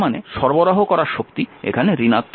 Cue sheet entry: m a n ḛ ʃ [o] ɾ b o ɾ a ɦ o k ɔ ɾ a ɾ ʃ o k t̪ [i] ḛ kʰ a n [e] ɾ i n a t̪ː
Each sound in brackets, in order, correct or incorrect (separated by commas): incorrect, correct, correct